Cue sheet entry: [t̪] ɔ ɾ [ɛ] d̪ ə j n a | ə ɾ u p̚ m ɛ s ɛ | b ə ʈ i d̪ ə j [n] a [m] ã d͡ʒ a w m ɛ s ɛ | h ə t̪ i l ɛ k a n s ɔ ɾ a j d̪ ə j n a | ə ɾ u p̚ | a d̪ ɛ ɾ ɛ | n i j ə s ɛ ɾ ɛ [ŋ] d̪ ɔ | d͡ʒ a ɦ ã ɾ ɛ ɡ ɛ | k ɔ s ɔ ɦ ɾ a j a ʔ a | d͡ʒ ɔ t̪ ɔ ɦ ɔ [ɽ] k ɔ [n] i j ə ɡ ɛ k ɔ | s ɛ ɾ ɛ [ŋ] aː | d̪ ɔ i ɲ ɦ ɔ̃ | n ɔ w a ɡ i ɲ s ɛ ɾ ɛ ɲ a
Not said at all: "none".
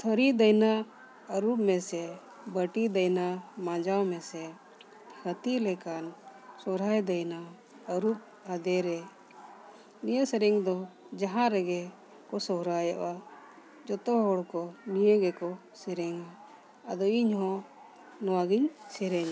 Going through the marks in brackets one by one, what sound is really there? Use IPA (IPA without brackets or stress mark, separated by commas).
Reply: t̪ʰ, i, n, m, ŋ, ɽ, n, ŋ